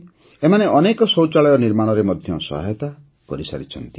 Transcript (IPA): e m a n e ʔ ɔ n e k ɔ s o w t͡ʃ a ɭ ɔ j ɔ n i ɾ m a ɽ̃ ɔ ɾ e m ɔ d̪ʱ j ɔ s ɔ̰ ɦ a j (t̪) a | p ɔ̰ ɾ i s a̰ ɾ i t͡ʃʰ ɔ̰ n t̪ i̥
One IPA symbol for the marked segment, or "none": t̪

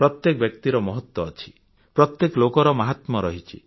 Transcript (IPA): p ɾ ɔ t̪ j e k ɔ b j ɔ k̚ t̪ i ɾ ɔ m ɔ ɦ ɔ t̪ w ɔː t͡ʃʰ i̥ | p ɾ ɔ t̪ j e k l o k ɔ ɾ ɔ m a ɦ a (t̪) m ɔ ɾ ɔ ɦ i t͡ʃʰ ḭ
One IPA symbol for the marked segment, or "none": t̪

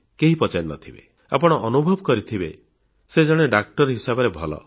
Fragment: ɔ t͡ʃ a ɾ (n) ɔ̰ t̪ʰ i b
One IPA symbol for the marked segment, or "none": n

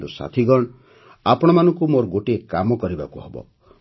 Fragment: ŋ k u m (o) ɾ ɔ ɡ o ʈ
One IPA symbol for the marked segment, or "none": o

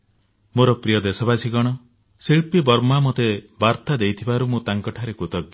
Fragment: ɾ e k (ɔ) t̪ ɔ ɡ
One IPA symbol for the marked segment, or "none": u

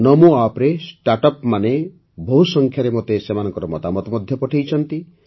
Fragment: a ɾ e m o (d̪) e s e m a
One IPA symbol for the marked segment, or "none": t̪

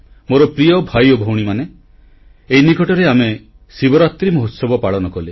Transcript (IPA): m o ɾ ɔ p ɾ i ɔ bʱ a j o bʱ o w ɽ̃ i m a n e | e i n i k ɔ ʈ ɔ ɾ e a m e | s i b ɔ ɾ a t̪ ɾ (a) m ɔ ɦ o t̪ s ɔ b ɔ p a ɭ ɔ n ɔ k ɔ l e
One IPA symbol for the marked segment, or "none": i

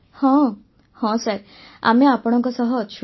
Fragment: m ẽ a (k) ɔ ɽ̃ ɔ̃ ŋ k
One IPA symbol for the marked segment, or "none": p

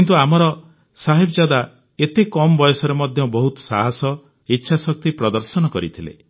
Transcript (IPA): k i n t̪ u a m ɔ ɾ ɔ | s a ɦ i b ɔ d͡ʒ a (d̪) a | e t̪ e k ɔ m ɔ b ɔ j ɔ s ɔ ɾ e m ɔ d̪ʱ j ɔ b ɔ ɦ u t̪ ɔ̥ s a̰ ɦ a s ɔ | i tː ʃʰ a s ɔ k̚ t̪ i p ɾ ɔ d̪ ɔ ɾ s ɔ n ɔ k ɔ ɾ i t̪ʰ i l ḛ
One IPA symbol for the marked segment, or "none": d̪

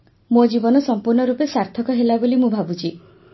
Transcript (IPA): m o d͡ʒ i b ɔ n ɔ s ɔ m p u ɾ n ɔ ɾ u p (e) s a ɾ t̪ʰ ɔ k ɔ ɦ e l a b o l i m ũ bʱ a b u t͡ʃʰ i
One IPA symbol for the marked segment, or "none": e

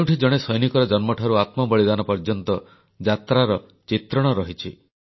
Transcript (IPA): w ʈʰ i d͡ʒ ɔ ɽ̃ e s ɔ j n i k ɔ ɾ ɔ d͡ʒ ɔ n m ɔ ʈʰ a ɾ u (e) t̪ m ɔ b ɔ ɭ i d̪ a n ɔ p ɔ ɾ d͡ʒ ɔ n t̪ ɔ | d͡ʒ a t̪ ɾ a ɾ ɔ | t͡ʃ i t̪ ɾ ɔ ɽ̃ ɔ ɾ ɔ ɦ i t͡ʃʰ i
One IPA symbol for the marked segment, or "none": a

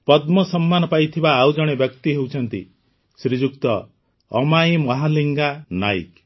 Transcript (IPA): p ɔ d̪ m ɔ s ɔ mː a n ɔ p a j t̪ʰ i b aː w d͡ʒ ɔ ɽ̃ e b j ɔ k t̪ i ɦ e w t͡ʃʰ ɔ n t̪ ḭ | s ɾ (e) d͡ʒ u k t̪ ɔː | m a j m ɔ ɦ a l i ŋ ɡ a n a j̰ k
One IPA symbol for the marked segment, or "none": i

